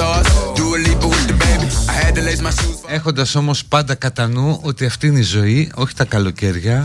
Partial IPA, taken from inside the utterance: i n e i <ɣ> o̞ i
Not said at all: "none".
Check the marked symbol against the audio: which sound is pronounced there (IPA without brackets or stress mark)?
z